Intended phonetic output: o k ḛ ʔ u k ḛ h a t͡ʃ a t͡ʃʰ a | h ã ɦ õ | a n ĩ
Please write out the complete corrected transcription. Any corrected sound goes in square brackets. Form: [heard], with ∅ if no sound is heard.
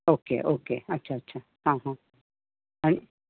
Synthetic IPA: o k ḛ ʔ [o] k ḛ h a t͡ʃ a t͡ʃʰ a | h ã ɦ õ | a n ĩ